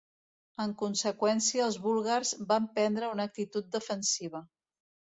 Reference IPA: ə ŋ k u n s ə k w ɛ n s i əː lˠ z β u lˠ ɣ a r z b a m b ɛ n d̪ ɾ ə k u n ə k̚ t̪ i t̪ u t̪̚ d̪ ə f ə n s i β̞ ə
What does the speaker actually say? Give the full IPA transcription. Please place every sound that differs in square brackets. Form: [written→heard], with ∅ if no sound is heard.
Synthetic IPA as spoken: ə ŋ k u n s ə k w ɛ n s i əː lˠ z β u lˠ ɣ a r z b a m [b→p] ɛ n d̪ ɾ ə [k→∅] u n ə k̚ t̪ i t̪ u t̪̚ d̪ ə f ə n s i β̞ ə

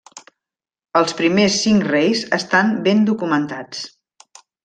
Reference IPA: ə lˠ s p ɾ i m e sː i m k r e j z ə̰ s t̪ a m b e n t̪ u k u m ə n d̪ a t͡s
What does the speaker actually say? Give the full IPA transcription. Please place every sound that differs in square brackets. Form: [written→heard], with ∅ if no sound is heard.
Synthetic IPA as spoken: ə lˠ s p ɾ i m e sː i [m→ŋ] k r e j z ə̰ s t̪ a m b e n [t̪→d̪] u k u m ə n [d̪→t̪] a t͡s

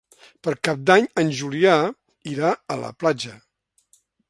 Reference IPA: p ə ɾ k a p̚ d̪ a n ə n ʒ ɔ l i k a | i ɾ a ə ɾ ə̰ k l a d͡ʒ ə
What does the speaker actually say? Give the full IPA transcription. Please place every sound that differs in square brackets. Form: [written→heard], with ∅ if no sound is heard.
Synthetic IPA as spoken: p ə ɾ k a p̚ d̪ a [n→ɲ] ə n ʒ [ɔ→u] l i [k→∅] a | i ɾ a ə [ɾ→l] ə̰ [k→p] l a d͡ʒ ə

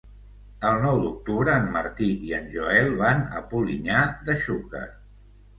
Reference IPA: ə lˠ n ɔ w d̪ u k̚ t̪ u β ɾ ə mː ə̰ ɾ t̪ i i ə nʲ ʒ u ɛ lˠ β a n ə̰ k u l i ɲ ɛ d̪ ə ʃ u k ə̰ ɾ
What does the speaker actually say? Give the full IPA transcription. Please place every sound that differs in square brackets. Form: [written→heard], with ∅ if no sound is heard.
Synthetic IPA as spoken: ə lˠ n ɔ w d̪ u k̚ t̪ u β ɾ [ə→əː] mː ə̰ ɾ t̪ i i ə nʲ ʒ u ɛ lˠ β a n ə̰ [k→p] u l i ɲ [ɛ→a] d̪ ə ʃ u k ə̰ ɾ

